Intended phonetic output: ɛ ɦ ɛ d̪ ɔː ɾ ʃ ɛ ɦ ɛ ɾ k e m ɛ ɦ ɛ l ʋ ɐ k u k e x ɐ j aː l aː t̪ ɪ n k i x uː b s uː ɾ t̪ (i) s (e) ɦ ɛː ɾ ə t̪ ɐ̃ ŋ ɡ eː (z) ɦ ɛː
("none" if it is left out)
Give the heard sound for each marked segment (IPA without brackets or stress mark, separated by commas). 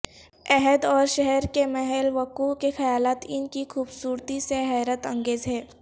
i, e, z